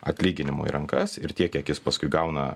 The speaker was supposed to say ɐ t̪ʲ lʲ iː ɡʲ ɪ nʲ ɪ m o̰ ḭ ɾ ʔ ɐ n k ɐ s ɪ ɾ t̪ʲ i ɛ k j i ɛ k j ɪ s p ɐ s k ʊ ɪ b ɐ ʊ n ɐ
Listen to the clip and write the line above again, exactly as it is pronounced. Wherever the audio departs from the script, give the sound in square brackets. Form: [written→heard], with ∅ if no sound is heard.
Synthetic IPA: ɐ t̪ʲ lʲ iː ɡʲ ɪ nʲ ɪ m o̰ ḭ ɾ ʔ ɐ [n→ŋ] k ɐ s ɪ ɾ t̪ʲ i ɛ k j i ɛ k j ɪ s p ɐ s k ʊ ɪ [b→ɡ] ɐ ʊ n ɐ